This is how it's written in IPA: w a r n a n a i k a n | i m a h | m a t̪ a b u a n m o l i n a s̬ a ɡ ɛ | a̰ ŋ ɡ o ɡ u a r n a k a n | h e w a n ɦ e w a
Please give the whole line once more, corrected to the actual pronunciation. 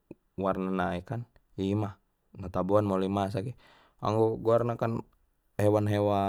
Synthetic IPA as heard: w a r n a n a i k a n | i m a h | n a t̪ a b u a n m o l i m a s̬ a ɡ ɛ | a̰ ŋ ɡ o ɡ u a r n a k a n | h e w a n ɦ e w a